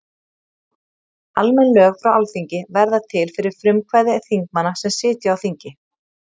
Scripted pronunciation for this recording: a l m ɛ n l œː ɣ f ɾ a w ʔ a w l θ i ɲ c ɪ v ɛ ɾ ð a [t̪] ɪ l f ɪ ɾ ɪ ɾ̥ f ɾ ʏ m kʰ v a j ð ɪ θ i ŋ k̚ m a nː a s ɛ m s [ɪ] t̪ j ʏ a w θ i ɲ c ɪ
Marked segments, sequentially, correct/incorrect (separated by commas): incorrect, incorrect